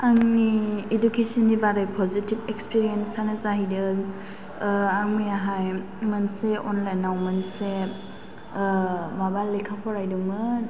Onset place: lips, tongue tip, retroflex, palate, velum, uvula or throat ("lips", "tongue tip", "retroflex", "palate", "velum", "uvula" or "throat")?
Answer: velum